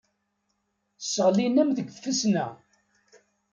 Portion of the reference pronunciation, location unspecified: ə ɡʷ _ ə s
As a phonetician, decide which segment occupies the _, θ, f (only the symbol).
f